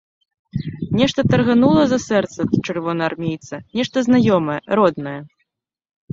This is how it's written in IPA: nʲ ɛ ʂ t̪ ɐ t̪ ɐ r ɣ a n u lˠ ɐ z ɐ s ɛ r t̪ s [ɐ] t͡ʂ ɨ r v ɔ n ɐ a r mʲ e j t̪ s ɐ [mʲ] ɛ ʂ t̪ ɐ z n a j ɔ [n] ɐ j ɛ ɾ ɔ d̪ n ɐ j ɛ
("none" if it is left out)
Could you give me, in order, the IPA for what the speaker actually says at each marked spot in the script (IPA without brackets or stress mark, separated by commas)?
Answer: ɐ, nʲ, m